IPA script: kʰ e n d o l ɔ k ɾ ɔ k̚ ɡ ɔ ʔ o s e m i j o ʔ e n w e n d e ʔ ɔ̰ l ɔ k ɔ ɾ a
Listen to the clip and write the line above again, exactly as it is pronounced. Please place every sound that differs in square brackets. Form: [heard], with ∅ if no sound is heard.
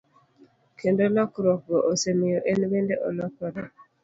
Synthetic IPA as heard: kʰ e n d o l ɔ k ɾ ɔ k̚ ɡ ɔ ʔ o s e m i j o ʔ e n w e n d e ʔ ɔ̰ l ɔ k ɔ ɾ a